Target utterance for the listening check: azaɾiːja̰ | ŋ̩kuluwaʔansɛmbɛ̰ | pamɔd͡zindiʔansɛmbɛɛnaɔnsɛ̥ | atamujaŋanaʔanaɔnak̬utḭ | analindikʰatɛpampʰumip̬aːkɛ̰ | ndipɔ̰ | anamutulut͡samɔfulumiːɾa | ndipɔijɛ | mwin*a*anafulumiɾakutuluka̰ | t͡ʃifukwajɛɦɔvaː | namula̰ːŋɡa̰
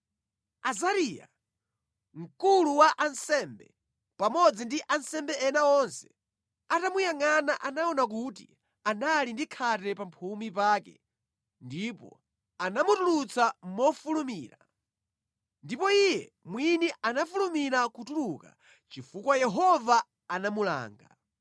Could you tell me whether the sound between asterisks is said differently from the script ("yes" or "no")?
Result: yes